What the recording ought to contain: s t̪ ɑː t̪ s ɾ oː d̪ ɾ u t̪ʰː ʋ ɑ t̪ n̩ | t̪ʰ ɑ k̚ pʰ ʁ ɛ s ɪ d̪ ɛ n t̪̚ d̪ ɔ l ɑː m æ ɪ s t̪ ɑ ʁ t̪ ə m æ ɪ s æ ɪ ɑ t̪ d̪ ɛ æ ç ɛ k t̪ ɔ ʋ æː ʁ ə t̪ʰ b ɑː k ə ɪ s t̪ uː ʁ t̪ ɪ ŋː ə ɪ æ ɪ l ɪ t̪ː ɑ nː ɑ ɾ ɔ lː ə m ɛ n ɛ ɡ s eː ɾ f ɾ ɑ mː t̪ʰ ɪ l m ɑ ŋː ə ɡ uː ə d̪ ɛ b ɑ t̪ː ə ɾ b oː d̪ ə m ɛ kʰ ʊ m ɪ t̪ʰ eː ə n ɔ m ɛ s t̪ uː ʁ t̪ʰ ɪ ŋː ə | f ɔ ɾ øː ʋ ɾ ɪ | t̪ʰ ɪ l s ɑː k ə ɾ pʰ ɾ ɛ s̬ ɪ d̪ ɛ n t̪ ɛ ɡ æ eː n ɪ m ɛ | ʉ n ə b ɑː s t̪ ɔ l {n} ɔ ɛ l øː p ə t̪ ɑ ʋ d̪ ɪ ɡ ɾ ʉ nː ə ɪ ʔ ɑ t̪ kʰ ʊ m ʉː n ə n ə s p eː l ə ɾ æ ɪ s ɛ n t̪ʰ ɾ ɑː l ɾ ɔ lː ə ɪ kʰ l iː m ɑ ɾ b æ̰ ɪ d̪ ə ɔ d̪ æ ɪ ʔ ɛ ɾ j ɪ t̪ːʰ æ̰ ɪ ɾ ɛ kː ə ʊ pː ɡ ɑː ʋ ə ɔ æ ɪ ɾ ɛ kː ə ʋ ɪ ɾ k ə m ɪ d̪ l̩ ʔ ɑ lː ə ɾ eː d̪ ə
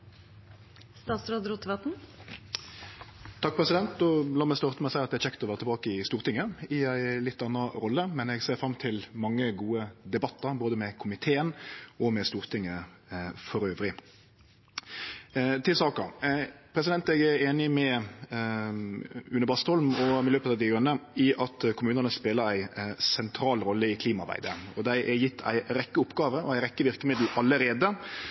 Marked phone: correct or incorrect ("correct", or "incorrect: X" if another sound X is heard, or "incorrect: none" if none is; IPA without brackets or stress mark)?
incorrect: m